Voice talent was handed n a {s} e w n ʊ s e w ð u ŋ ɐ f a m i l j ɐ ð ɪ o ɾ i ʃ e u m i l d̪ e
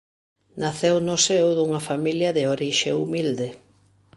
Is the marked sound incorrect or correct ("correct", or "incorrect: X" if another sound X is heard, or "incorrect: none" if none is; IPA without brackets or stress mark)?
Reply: incorrect: θ